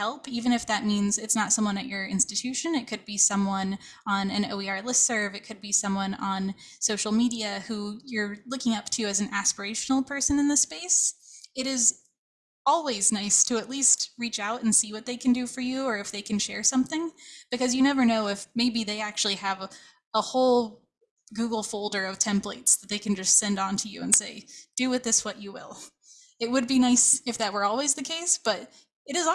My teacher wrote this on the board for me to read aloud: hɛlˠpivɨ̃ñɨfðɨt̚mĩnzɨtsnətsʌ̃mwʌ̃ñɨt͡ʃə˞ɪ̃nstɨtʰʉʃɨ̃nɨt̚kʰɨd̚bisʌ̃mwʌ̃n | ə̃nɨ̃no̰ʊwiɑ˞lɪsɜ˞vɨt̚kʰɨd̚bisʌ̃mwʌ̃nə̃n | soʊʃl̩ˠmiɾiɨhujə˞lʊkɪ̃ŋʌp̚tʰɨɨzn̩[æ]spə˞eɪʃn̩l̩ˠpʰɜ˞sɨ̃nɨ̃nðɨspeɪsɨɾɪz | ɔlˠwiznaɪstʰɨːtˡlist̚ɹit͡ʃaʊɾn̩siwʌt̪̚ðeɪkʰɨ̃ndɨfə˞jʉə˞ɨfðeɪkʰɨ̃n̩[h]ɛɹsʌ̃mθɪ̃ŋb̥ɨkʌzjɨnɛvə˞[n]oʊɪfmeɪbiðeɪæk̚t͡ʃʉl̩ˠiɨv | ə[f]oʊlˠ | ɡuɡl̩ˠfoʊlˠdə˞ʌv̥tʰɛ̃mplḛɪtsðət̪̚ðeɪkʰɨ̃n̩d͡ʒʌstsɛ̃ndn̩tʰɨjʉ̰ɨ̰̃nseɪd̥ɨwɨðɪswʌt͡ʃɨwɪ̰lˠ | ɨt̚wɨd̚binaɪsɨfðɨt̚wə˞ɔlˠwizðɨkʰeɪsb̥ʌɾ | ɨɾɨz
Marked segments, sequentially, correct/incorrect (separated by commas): correct, incorrect, correct, incorrect